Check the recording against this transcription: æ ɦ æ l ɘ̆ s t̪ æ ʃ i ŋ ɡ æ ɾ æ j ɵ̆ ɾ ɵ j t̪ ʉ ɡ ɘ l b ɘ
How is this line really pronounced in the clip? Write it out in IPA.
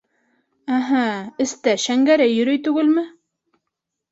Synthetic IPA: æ ɦ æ ɘ̆ s t̪ æ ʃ æ ŋ ɡ æ ɾ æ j ɵ̆ ɾ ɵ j t̪ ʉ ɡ ɘ l m ɘ